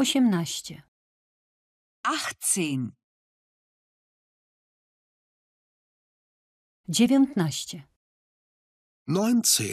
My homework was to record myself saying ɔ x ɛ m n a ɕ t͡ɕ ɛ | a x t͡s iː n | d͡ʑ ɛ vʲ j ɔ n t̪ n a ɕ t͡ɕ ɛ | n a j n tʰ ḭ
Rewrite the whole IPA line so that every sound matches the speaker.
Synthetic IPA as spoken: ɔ ɕ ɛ m n a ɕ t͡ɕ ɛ | a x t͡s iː n | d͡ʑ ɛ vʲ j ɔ n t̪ n a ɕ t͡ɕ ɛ | n a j n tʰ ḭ